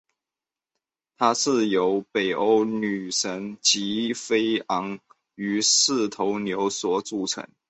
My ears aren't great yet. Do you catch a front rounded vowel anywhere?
yes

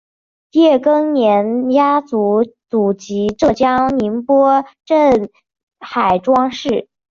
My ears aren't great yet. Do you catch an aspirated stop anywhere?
no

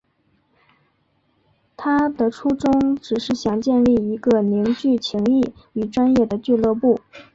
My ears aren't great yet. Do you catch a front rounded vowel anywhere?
yes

